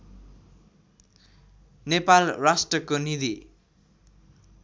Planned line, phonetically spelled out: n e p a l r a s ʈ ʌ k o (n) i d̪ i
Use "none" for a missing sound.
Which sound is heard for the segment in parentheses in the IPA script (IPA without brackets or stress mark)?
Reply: n